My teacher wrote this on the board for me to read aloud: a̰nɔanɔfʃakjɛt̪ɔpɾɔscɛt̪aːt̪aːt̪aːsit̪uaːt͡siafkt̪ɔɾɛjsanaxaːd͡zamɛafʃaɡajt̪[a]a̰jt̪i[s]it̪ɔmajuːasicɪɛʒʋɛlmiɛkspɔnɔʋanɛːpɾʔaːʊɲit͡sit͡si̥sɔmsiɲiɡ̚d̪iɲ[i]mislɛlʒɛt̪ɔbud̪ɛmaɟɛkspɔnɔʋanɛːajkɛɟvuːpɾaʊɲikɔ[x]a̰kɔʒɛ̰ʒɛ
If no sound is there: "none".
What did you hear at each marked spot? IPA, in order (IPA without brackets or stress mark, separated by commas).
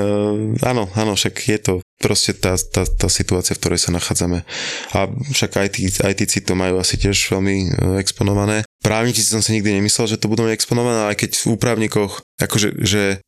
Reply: i, t͡s, ɛ, x